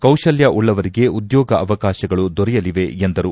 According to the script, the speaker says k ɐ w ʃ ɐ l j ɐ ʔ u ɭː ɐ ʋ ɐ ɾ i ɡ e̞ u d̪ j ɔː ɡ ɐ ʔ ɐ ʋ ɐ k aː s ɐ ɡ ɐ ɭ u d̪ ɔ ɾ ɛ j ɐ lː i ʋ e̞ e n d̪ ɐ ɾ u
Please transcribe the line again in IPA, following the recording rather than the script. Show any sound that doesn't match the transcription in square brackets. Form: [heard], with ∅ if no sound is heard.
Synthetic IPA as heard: k ɐ w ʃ ɐ l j ɐ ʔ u ɭː ɐ ʋ ɐ ɾ i ɡ e̞ u d̪ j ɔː ɡ ɐ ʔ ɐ ʋ ɐ k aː [ʃ] ɐ ɡ ɐ ɭ u d̪ ɔ ɾ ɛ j ɐ [l] i ʋ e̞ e n d̪ ɐ ɾ u